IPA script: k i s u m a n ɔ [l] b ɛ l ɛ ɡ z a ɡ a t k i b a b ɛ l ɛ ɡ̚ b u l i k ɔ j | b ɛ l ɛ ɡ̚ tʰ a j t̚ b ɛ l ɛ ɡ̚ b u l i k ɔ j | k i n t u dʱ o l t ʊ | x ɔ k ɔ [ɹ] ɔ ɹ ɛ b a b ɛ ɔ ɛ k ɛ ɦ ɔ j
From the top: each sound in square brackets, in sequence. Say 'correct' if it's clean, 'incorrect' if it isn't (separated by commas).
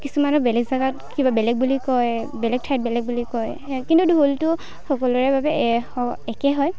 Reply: incorrect, incorrect